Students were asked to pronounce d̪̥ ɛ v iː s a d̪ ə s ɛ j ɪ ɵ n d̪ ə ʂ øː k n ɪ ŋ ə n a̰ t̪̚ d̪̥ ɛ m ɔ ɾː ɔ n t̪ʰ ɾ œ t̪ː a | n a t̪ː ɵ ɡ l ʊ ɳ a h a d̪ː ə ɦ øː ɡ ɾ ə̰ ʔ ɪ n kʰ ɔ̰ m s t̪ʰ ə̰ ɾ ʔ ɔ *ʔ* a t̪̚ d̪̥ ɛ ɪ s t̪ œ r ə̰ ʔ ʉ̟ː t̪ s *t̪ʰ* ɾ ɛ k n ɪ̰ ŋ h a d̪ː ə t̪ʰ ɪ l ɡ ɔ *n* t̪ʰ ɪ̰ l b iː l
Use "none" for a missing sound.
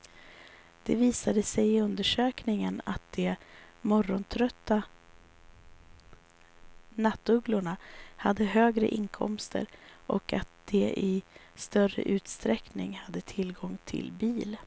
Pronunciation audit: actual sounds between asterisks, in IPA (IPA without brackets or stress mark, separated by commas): k, t̪, ŋ